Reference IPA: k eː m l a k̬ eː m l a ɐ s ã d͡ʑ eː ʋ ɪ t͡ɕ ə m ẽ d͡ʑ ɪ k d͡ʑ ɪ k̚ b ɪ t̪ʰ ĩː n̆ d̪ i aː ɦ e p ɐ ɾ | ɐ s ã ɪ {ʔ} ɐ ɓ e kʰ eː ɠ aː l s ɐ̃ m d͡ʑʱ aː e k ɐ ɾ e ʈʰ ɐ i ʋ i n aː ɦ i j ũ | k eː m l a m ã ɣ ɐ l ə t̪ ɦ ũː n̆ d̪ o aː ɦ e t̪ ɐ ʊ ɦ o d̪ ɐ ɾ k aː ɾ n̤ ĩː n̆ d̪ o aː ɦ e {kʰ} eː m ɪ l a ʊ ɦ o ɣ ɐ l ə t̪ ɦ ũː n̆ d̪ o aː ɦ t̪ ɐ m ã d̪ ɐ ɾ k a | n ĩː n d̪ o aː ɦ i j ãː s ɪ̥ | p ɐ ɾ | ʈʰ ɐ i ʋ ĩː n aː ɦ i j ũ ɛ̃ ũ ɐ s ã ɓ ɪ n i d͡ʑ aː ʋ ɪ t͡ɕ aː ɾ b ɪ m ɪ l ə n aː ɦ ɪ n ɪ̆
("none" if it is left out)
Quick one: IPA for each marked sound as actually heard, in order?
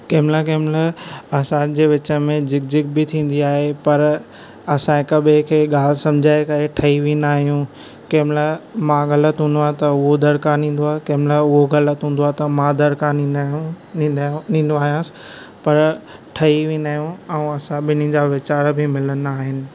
k, k

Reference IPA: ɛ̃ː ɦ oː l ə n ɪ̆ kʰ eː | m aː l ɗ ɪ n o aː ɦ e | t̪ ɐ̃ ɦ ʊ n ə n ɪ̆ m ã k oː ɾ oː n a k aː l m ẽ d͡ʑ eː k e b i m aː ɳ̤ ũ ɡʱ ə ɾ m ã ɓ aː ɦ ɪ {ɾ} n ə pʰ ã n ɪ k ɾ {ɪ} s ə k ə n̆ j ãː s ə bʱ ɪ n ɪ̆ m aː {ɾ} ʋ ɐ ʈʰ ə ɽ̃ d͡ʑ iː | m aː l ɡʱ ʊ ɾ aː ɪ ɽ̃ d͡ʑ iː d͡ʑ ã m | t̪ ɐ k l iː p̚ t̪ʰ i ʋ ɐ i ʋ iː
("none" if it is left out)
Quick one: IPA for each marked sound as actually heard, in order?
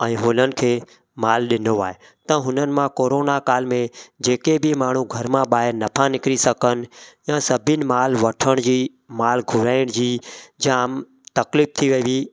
ɾ, i, l

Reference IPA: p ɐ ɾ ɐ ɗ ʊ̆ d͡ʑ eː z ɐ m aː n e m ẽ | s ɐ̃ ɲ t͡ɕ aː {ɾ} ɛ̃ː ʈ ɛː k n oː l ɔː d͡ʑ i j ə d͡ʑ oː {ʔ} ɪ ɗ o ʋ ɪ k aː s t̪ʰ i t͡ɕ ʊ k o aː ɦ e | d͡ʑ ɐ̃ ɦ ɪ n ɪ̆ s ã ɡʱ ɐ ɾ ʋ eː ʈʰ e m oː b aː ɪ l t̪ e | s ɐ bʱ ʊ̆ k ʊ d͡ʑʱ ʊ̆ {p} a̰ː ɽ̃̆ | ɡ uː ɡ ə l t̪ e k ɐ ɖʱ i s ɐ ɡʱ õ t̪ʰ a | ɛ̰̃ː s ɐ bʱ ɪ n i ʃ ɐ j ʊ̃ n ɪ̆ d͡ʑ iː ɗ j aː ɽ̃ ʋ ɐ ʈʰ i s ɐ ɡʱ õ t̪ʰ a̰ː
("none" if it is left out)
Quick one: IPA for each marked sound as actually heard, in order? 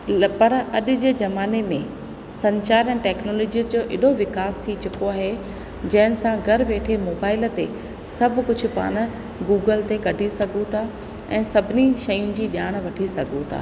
ɾ, ʔ, p

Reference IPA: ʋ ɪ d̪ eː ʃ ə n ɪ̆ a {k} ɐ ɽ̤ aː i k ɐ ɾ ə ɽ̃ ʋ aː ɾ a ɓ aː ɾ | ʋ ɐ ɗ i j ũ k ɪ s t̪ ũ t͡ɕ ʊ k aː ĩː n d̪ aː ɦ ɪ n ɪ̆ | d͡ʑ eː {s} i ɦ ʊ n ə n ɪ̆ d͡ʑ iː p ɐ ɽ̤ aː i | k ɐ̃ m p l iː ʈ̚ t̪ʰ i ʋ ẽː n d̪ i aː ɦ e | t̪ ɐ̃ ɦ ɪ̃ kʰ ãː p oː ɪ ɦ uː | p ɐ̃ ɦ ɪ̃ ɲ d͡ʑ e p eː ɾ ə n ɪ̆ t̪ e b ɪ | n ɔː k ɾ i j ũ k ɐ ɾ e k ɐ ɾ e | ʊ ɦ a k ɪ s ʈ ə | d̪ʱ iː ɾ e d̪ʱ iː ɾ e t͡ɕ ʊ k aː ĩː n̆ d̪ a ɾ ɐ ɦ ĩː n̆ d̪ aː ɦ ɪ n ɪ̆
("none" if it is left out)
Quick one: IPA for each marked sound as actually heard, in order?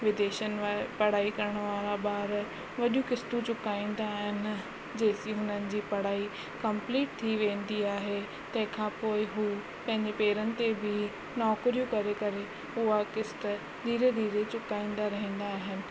p, s

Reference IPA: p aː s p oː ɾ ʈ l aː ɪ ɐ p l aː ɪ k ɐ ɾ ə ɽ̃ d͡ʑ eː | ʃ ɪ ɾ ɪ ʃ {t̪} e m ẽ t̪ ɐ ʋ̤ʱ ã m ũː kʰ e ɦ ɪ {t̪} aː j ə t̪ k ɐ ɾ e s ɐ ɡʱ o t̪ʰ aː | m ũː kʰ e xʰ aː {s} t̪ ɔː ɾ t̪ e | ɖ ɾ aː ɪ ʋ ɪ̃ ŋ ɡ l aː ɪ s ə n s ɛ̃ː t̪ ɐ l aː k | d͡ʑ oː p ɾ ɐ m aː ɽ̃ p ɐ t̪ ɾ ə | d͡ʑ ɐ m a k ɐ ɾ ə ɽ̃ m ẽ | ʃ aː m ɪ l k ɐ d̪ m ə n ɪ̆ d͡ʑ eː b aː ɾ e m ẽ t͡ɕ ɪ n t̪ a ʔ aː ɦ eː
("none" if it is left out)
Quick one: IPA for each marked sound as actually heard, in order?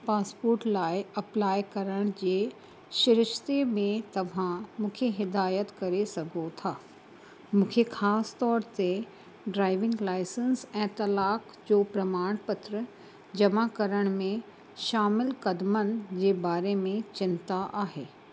t̪, d̪, s

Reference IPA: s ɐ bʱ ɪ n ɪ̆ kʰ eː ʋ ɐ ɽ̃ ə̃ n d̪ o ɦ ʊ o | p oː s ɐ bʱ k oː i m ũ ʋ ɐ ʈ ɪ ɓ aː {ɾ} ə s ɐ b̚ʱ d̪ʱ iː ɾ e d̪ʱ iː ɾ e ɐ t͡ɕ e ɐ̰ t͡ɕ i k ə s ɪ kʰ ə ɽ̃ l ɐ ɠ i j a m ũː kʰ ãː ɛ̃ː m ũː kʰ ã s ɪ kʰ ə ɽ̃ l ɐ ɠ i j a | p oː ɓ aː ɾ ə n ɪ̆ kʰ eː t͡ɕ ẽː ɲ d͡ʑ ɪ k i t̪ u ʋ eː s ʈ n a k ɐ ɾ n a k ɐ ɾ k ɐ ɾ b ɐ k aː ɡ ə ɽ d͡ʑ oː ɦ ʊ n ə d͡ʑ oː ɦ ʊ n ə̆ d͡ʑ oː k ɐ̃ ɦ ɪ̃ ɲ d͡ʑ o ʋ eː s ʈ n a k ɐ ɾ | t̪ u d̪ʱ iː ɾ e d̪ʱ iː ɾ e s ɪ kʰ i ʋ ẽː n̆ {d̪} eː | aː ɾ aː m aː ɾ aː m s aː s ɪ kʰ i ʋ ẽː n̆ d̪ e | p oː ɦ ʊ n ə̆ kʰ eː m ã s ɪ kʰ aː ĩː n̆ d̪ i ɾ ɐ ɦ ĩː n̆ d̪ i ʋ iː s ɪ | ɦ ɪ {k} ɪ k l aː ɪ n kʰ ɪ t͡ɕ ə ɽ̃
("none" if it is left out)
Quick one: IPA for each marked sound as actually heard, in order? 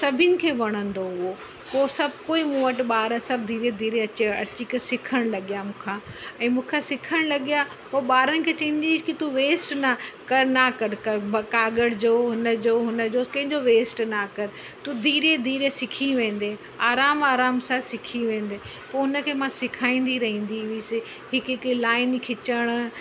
ɾ, d̪, k

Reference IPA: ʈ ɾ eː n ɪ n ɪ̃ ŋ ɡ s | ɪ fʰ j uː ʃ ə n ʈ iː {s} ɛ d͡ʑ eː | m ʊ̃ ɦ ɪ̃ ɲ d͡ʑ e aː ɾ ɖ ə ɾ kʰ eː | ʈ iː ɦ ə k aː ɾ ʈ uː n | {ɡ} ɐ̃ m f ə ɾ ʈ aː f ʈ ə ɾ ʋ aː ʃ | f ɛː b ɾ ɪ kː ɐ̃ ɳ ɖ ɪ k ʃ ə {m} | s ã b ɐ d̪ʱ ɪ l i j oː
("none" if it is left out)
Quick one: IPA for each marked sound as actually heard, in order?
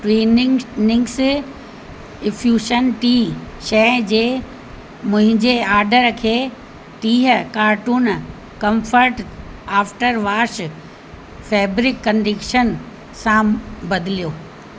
ʃ, k, n

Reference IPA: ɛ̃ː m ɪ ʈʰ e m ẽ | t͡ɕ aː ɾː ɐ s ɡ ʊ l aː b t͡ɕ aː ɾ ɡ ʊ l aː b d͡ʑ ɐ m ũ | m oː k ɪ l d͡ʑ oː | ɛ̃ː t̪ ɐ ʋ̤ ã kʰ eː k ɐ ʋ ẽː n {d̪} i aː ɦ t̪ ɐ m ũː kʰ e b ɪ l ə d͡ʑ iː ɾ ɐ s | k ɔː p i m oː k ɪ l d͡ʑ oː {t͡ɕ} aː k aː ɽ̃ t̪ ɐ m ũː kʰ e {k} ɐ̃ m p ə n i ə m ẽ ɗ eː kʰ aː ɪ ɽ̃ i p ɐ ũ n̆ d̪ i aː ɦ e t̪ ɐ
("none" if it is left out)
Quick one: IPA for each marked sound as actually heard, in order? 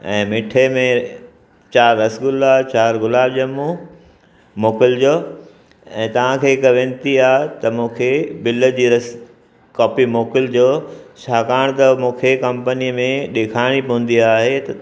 t̪, t͡ɕʰ, k

